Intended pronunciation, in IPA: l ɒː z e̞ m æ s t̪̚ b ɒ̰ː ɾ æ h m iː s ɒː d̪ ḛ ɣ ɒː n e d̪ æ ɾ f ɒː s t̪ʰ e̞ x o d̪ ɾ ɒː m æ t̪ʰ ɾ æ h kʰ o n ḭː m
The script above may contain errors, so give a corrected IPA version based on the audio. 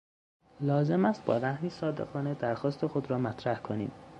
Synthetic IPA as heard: l ɒː z e̞ m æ s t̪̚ b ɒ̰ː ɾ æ h m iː s ɒː d̪ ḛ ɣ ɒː n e d̪ æ ɾ x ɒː s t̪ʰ e̞ x o d̪ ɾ ɒː m æ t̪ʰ ɾ æ h kʰ o n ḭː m